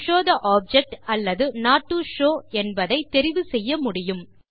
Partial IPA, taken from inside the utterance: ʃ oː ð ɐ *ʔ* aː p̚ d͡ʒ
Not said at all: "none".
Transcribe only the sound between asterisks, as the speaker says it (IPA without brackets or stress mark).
ʔ